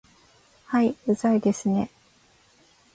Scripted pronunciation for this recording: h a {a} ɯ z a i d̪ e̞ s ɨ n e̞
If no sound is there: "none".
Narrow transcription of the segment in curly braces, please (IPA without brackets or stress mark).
i